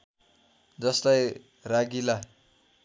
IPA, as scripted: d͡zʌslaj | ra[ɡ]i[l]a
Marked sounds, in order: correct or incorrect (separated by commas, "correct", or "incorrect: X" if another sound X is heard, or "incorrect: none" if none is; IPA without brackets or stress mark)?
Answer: correct, correct